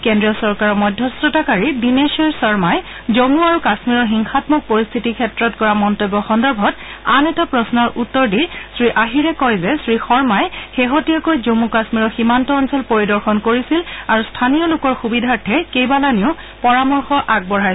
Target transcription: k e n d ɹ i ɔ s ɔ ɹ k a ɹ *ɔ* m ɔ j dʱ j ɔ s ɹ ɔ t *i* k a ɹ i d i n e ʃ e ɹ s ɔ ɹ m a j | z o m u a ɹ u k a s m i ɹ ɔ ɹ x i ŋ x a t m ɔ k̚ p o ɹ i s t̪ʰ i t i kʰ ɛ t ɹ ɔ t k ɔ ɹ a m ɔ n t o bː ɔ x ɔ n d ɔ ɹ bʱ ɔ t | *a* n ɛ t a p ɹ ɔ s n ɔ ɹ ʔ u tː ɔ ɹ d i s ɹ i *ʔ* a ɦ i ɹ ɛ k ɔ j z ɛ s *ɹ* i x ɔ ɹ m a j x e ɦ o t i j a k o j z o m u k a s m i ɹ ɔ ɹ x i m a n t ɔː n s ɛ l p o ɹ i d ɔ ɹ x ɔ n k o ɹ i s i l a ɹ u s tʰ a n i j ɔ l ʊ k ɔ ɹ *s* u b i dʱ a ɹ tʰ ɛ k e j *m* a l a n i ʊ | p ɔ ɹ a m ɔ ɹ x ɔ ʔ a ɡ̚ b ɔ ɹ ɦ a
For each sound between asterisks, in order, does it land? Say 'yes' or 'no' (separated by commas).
yes, no, yes, yes, yes, no, no